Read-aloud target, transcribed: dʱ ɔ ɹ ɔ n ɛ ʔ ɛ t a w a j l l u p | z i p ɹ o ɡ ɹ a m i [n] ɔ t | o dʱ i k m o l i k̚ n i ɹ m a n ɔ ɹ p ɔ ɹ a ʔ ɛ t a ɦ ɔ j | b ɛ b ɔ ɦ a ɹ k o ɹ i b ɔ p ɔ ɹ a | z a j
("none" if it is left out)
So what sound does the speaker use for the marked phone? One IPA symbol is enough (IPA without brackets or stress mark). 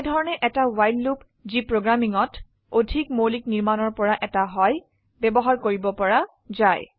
ŋ